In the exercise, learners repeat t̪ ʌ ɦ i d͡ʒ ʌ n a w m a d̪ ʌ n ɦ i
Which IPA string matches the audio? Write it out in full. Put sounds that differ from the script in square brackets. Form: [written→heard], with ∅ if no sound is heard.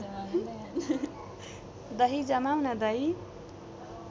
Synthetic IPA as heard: [t̪→d̪] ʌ ɦ i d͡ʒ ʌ [n→m] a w [m→n] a d̪ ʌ [n→∅] ɦ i